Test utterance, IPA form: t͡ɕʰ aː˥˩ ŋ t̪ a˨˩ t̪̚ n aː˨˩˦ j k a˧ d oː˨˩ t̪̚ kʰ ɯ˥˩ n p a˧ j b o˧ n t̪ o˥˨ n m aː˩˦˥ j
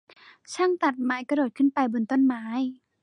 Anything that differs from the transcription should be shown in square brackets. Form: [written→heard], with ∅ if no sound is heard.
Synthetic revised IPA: t͡ɕʰ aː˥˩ ŋ t̪ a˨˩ t̪̚ [n→m] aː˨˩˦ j k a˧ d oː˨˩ t̪̚ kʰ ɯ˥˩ n p a˧ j b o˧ n t̪ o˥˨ n m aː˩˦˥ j